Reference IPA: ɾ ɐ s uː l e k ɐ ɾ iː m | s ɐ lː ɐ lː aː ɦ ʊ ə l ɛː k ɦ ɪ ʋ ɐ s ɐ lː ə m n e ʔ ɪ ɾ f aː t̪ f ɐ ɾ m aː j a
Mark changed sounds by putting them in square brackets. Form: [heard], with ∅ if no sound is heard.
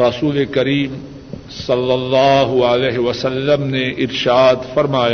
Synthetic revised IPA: ɾ ɐ s uː l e k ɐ ɾ iː m | s ɐ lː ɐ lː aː ɦ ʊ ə l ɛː [∅] ɦ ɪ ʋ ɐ s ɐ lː ə m n e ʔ ɪ ɾ [ʃ] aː [d̪] f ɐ ɾ m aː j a